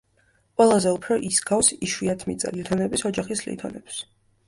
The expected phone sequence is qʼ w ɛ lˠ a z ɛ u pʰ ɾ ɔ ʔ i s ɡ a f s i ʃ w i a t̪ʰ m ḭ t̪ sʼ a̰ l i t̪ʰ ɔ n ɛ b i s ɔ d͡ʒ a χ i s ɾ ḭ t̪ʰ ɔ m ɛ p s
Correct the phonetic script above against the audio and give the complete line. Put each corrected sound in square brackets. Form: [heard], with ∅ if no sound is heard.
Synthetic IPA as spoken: qʼ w ɛ lˠ a z ɛ u pʰ ɾ ɔ ʔ i s ɡ a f s i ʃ w i a t̪ʰ m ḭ t̪ sʼ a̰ l i t̪ʰ ɔ n ɛ b i s ɔ d͡ʒ a χ i s [l] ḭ t̪ʰ ɔ [n] ɛ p s